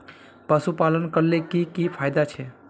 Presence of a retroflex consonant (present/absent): absent